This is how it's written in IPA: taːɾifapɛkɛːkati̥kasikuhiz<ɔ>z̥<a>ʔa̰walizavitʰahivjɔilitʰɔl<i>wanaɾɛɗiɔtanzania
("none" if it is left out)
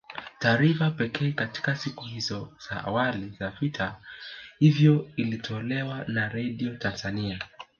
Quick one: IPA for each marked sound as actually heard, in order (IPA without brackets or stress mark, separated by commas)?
ɔ, a, ɛ